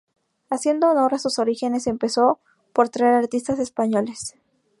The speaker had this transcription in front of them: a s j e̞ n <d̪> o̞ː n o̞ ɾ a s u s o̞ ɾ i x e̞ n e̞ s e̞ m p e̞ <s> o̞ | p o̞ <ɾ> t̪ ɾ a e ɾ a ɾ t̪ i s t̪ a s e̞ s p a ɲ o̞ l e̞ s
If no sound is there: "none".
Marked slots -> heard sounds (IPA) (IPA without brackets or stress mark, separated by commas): d̪, s, ɾ